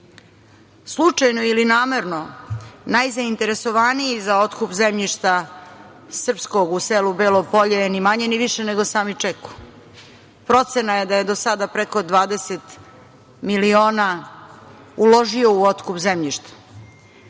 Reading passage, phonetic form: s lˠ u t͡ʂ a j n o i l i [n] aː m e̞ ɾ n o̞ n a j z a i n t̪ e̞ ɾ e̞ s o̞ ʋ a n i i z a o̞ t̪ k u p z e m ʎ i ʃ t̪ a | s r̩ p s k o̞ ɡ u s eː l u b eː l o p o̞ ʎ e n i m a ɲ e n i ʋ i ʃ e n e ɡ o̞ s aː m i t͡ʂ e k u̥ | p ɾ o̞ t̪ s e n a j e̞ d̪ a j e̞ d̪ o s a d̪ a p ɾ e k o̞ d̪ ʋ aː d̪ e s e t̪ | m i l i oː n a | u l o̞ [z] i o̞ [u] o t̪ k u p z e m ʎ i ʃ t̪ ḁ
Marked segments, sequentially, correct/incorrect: correct, incorrect: ʒ, correct

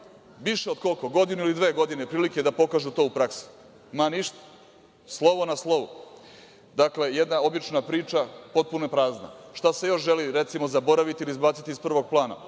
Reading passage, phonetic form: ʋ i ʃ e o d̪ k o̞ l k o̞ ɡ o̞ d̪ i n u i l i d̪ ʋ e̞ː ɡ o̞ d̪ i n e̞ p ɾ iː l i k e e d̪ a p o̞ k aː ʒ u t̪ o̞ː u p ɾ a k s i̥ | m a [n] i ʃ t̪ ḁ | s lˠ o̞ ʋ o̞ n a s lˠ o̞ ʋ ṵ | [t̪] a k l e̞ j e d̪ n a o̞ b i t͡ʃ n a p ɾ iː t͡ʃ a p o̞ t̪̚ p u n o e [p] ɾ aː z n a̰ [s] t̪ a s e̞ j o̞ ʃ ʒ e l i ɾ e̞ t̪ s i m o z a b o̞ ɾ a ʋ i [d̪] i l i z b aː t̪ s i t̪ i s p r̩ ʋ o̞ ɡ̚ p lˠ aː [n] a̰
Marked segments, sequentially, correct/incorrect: correct, incorrect: d̪, correct, incorrect: ʃ, incorrect: t̪, correct

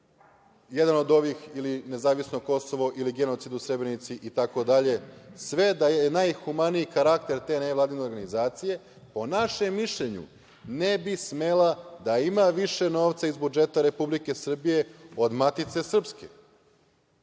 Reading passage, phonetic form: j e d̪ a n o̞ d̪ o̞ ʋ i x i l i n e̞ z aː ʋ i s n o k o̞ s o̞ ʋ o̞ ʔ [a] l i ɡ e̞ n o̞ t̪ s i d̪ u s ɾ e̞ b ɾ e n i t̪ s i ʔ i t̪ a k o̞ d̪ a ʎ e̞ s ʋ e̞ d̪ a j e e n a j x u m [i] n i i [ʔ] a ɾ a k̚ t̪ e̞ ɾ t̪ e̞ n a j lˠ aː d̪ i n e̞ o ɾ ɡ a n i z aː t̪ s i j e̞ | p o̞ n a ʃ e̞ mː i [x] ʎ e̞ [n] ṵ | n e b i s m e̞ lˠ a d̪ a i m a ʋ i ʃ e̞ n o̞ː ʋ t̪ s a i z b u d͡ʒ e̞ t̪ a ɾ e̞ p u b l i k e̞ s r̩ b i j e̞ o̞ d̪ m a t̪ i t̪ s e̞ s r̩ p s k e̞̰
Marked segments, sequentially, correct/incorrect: incorrect: i, incorrect: a, incorrect: k, incorrect: ʃ, incorrect: ɲ

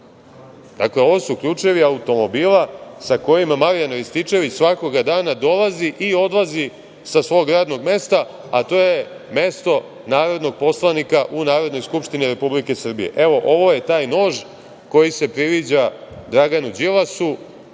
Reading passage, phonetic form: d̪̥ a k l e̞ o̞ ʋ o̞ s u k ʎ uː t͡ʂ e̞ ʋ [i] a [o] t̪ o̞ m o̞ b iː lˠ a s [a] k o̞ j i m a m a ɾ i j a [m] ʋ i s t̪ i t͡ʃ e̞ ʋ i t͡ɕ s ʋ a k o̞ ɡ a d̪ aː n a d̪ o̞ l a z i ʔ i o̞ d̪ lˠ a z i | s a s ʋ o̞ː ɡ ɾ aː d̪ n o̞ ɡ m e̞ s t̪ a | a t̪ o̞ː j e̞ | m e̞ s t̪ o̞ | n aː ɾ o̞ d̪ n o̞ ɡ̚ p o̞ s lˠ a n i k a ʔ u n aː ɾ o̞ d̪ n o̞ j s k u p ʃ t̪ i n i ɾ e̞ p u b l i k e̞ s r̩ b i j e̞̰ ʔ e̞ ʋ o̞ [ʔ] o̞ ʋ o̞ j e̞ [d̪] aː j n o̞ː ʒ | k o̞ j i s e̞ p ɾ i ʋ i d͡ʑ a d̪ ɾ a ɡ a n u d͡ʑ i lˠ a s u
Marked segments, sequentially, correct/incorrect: correct, incorrect: u, correct, incorrect: n, correct, incorrect: t̪

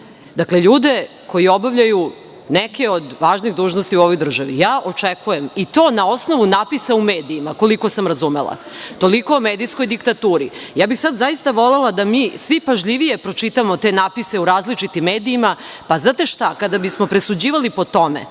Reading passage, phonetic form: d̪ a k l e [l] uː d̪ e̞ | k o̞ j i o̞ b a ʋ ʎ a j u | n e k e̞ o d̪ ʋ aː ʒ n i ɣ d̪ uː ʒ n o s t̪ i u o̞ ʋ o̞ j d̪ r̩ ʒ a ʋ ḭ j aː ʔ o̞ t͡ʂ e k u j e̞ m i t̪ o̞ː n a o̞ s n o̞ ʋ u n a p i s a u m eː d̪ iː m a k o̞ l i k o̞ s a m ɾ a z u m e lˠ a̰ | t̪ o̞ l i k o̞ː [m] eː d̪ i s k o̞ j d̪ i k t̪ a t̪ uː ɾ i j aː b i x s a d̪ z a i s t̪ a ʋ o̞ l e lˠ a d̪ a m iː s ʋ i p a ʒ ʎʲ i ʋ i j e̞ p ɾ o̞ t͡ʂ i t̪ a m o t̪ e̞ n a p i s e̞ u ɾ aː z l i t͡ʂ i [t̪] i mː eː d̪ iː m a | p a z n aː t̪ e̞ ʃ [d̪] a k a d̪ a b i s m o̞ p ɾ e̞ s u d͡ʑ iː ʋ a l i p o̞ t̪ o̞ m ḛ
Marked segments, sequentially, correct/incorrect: incorrect: ʎ, correct, correct, incorrect: t̪

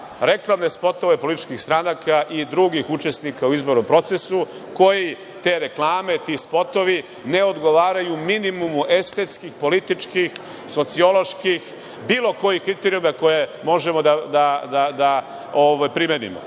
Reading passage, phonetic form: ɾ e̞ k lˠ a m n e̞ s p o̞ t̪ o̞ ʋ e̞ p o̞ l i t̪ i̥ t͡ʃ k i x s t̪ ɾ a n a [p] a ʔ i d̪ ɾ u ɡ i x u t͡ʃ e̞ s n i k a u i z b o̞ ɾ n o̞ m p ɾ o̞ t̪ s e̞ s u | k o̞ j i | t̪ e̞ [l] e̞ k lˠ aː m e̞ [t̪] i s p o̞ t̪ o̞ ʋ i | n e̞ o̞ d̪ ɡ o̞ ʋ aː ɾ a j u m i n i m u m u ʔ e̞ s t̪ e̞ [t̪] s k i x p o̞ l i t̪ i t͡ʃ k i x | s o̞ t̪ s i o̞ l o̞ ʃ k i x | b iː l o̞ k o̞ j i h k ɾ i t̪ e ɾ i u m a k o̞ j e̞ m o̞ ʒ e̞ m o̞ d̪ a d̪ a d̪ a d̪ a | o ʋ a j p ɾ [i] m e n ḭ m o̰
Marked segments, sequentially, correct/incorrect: incorrect: k, incorrect: ɾ, correct, correct, correct

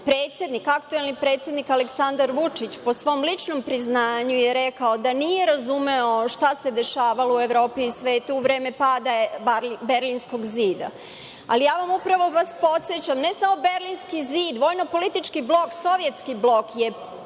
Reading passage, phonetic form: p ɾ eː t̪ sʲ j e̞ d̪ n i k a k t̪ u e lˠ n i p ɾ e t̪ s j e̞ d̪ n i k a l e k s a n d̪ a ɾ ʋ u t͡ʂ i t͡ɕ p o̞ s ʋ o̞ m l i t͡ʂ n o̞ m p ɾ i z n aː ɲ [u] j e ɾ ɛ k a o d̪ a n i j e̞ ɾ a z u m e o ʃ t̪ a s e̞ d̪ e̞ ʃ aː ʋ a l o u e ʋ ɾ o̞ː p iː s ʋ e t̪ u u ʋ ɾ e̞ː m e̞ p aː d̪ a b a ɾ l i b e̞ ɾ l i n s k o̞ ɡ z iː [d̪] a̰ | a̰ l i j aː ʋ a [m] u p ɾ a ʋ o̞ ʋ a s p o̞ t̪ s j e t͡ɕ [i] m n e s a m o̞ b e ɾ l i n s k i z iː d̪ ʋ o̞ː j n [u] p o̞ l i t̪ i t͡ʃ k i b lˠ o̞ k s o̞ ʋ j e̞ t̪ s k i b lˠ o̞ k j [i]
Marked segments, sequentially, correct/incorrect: correct, correct, correct, incorrect: a, incorrect: o, incorrect: e

